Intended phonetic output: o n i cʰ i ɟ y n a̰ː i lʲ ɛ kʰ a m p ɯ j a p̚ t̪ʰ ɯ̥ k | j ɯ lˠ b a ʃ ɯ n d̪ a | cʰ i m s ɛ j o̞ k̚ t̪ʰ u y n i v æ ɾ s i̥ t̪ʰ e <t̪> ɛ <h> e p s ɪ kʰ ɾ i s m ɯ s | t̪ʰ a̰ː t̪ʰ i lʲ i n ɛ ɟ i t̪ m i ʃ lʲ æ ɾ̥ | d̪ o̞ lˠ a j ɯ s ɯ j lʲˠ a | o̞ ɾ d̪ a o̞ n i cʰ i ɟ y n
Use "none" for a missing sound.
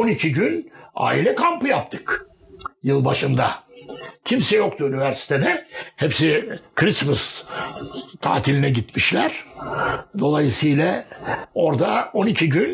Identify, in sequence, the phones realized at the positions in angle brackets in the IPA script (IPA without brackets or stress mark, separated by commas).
d̪, h